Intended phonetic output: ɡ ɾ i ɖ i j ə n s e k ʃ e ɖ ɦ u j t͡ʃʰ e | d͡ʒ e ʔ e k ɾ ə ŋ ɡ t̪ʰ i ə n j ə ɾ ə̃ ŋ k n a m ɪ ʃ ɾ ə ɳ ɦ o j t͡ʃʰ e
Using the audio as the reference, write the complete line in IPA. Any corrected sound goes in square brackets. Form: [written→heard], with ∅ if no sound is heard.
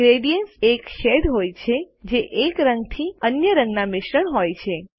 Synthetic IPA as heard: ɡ ɾ [i→e] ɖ i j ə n s e k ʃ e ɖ ɦ [u→o] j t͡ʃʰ e | d͡ʒ e ʔ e k ɾ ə ŋ ɡ t̪ʰ i ə n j ə ɾ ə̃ ŋ [k→ɡ] n a m ɪ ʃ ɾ ə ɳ ɦ o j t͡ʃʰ e